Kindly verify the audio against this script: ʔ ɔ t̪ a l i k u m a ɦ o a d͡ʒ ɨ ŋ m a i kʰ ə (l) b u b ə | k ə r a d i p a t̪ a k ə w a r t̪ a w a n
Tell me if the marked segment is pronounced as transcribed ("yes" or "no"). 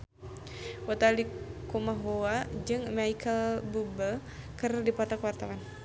yes